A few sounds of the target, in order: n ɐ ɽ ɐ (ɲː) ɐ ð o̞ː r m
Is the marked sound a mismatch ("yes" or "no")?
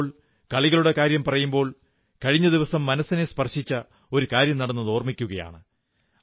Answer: yes